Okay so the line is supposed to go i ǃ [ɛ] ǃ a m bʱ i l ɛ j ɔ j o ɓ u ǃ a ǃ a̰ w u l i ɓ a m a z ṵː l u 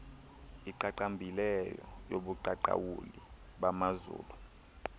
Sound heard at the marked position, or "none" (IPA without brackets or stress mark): a